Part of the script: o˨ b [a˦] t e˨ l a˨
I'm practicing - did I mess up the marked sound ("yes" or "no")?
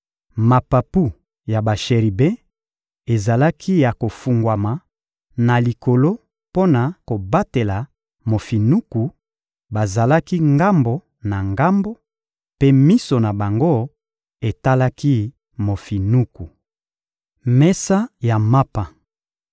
no